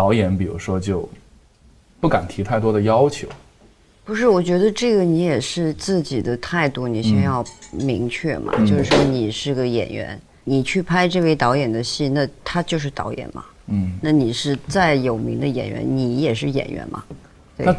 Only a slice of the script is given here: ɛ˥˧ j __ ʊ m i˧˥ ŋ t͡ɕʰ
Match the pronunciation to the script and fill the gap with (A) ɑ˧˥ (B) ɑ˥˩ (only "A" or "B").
B